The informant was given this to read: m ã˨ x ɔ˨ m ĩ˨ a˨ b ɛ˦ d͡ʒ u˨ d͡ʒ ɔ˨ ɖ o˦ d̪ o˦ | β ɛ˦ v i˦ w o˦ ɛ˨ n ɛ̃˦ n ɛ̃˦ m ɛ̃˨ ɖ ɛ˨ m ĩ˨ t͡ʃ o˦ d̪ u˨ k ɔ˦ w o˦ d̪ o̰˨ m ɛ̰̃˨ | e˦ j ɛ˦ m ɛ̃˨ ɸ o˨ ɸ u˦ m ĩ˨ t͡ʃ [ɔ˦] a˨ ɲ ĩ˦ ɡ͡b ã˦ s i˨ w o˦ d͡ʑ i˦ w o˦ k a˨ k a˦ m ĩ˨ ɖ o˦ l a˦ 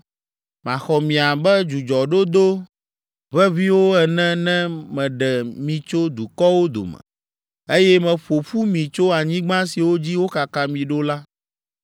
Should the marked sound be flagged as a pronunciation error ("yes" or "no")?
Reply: yes